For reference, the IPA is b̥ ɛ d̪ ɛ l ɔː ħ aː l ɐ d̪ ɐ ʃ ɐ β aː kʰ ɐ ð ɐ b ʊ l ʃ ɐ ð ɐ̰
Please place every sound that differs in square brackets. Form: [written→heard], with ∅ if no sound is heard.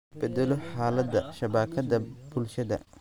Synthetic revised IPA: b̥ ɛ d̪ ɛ l [ɔː→ɔ] ħ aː l ɐ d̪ ɐ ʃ ɐ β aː kʰ ɐ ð ɐ b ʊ l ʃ ɐ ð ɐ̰